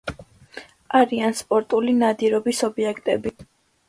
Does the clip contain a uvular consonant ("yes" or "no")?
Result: no